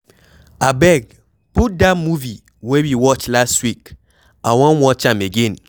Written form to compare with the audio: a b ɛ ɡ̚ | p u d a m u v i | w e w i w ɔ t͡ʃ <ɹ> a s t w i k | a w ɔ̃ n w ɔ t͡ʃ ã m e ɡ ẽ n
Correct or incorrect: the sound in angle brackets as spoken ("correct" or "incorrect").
incorrect